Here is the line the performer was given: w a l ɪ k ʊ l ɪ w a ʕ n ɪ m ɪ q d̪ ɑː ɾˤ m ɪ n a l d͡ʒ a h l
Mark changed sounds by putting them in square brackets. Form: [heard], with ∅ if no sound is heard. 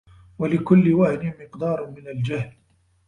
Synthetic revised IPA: w a l ɪ k ʊ [lː] ɪ w a ʕ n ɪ m ɪ q d̪ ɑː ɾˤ m ɪ n a l d͡ʒ a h l